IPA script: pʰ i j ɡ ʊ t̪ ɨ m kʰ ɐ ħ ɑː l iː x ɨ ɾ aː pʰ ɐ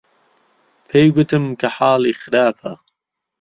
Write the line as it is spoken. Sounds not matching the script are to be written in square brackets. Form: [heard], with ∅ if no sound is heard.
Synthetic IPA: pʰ [e] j ɡ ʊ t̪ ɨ m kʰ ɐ ħ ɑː l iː x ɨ ɾ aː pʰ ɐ